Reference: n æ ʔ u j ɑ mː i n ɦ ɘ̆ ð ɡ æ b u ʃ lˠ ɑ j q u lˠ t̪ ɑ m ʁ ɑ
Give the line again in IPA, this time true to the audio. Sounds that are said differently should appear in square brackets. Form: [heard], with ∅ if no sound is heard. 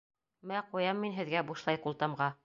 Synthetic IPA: [m] æ [q] u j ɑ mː i n ɦ ɘ̆ ð ɡ æ b u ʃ lˠ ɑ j q u lˠ t̪ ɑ m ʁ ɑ